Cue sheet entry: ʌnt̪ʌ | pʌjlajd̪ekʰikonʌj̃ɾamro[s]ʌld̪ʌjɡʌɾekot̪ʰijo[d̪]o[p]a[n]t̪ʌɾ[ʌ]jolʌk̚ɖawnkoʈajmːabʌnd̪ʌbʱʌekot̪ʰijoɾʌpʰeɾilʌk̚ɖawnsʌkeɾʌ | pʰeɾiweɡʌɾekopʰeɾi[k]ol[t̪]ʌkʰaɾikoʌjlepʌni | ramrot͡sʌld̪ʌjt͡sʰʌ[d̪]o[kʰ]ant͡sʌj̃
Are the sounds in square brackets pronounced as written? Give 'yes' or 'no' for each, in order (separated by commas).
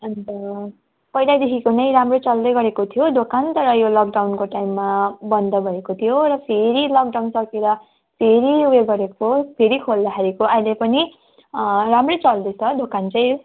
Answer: no, yes, no, yes, yes, no, no, yes, no